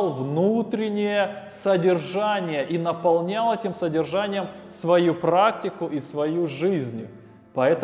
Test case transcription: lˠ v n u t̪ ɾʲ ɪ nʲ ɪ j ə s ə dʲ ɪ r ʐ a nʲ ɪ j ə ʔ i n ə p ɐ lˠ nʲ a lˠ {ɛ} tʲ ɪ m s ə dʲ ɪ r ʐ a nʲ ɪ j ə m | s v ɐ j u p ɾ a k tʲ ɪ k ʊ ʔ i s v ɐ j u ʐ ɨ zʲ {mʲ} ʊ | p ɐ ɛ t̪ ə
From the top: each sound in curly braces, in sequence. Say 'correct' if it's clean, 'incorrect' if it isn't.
correct, incorrect: nʲ

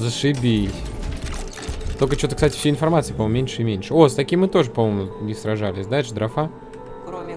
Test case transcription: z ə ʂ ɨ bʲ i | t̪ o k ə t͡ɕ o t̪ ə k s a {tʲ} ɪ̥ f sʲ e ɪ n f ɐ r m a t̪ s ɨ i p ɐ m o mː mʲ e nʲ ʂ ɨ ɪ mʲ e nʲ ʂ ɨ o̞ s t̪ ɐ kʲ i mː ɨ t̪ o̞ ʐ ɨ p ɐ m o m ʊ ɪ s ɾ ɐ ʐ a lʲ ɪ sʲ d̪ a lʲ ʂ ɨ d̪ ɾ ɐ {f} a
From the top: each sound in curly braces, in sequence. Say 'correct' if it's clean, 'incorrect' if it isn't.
correct, correct

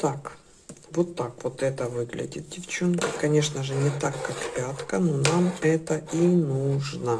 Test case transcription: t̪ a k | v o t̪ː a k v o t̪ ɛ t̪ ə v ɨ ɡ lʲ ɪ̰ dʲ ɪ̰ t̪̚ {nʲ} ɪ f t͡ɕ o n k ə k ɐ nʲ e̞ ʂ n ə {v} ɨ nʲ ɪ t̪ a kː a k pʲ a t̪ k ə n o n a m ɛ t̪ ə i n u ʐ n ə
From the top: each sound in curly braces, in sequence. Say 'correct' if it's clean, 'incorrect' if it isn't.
incorrect: dʲ, incorrect: ʐ

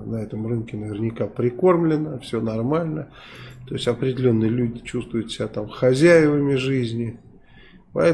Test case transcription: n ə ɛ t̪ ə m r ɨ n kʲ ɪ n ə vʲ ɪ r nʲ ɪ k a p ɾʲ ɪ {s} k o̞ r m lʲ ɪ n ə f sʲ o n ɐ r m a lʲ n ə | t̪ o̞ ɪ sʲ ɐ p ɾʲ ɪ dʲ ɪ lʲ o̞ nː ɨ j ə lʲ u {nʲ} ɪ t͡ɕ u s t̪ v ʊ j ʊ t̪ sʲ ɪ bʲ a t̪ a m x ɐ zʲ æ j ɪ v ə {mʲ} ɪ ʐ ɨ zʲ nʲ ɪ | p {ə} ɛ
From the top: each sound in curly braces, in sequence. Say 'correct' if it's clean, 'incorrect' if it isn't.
incorrect: none, incorrect: dʲ, correct, incorrect: ɐ

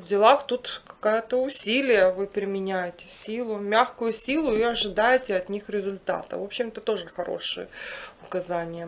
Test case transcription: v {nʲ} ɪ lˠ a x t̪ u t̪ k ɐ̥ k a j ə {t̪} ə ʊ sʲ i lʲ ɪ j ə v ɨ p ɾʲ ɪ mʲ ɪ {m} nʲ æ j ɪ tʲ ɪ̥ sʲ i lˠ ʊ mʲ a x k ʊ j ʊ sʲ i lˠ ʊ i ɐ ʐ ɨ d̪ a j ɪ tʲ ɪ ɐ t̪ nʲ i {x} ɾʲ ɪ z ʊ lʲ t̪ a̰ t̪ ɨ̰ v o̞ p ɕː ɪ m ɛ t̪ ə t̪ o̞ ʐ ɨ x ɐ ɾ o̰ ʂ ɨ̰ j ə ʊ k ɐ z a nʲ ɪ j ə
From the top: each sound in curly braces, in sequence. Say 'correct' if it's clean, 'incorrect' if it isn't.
incorrect: dʲ, correct, incorrect: none, correct

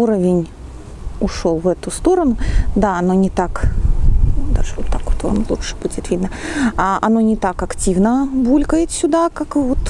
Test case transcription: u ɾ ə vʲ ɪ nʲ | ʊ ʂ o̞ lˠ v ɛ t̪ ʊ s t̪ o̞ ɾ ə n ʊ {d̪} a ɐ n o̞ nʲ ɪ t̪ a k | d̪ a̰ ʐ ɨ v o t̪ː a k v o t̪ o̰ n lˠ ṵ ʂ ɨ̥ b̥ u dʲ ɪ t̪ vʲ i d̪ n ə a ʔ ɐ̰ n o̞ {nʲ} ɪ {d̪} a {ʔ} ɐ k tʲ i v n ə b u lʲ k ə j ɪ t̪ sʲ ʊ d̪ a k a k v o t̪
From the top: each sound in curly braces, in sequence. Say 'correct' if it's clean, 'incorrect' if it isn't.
correct, correct, incorrect: t̪, incorrect: k

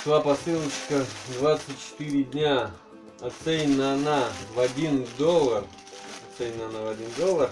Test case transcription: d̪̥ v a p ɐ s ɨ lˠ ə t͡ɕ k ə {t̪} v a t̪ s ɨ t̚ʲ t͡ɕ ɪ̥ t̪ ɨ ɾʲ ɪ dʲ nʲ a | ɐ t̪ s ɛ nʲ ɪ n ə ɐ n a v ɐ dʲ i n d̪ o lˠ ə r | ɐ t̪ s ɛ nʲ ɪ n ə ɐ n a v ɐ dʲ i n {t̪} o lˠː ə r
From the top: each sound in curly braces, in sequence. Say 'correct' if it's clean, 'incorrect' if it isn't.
incorrect: d̪, incorrect: d̪

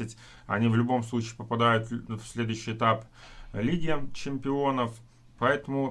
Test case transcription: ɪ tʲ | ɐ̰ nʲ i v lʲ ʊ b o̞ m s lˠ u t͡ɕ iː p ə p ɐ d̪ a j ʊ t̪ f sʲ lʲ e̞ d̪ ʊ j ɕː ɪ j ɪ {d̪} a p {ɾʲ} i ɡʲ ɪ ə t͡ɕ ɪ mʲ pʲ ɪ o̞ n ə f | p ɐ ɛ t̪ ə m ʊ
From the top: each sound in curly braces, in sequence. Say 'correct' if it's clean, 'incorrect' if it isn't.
incorrect: t̪, incorrect: lʲ

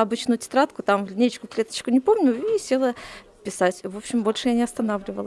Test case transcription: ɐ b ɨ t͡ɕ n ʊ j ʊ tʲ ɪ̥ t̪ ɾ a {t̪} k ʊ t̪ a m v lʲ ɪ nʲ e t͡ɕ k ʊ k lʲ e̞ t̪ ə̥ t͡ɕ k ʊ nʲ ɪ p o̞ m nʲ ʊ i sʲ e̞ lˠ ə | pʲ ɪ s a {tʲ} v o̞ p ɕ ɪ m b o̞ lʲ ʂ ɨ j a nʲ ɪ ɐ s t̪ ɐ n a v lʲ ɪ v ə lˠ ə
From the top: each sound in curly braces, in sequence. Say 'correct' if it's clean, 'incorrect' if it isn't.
correct, correct

